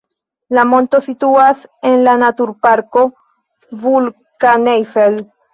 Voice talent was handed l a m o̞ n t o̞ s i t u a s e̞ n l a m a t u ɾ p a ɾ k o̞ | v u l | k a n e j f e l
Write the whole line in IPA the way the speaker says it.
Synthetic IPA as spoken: l a m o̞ n t o̞ s i t u a s e̞ n l a n a t u ɾ p a ɾ k o̞ | v u l | k a n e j f e l